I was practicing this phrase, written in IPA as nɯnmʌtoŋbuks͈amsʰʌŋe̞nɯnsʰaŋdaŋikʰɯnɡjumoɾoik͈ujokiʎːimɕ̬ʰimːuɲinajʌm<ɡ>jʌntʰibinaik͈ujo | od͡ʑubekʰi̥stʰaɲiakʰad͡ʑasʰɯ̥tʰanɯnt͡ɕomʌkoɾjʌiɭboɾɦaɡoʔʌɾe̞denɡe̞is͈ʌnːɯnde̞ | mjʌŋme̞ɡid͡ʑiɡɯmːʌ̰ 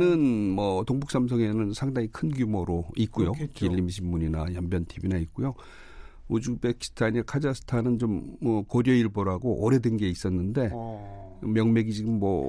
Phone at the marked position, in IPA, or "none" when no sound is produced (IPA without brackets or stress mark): b